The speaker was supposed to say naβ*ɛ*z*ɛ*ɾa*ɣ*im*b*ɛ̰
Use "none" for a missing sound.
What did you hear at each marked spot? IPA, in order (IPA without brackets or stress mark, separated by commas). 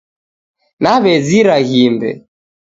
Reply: ɛ, i, ɣ, b